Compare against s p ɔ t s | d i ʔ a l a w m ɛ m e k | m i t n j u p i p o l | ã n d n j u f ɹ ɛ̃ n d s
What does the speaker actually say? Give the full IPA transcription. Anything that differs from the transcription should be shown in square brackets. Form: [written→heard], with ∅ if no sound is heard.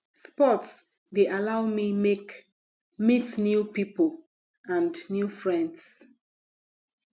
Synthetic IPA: s p ɔ t s | d [i→e] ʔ a l a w m [ɛ→i] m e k | m i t n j u p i p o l | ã n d n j u f ɹ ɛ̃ n d s